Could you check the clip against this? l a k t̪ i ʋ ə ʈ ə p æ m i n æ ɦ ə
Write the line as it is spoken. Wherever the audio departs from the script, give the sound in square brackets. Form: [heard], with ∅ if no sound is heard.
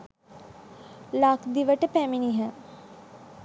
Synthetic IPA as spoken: l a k [d̪] i ʋ ə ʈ ə p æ m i n [i] ɦ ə

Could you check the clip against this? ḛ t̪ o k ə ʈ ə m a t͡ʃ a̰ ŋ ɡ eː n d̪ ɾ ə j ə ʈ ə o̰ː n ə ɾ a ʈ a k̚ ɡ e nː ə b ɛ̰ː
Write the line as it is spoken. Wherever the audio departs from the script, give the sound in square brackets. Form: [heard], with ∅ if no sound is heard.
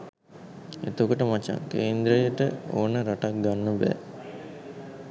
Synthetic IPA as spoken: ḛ t̪ o k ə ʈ ə m a t͡ʃ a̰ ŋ [k] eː n d̪ ɾ ə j ə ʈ ə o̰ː n ə ɾ a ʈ a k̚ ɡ [a] nː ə b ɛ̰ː

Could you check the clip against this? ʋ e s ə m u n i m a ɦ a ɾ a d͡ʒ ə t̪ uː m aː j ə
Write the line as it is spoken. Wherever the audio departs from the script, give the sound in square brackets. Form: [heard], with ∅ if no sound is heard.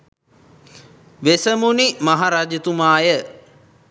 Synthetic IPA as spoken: ʋ e s ə m u n i m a ɦ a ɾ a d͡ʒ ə t̪ [u] m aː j ə

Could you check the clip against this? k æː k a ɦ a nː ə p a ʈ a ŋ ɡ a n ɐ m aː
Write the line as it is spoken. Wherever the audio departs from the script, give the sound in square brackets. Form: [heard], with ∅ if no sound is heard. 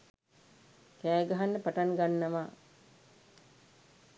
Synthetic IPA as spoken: k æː [ɡ] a ɦ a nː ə p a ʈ a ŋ ɡ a [nː] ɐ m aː

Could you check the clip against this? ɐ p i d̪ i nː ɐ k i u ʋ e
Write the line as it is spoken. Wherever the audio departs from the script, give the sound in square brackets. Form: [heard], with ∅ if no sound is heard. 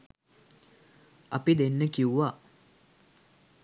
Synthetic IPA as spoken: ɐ p i d̪ [e] nː [ə] k i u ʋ [a]

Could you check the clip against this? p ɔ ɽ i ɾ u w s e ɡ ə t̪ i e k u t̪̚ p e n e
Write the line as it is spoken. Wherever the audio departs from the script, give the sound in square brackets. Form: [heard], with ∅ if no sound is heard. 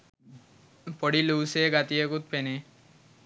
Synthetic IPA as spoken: p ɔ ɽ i [l] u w s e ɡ [a] t̪ i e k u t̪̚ p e n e

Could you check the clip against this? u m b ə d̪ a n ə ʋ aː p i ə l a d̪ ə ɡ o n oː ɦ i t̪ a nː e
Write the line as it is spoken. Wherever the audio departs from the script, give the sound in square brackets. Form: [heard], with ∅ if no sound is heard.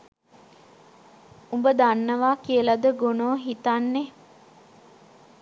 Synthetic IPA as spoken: u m b ə d̪ a [nː] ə ʋ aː [k] i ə l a d̪ ə ɡ o n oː ɦ i t̪ a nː e

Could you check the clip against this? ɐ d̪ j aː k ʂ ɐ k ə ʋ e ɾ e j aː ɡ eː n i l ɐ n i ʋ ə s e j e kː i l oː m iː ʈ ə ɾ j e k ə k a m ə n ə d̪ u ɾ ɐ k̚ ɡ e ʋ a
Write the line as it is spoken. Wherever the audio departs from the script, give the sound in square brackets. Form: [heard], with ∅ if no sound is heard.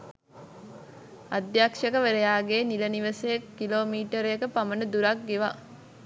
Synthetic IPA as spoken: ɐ d̪ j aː k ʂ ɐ k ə ʋ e ɾ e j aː ɡ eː n i l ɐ n i ʋ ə s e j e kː i l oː m iː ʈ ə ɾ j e k ə [p] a m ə n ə d̪ u ɾ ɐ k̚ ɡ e ʋ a

